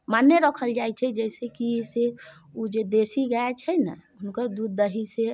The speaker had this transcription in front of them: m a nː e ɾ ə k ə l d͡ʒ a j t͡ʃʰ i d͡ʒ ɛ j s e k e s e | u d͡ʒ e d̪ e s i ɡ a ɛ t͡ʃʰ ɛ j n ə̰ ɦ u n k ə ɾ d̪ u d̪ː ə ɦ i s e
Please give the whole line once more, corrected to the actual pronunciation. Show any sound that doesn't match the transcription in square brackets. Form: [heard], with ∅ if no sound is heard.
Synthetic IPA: m a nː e ɾ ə [kʰ] ə l d͡ʒ a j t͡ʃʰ [ɛ] d͡ʒ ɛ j s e k [i] s e | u d͡ʒ e d̪ e s i ɡ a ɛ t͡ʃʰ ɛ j n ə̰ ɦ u n k ə ɾ d̪ u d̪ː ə ɦ i s e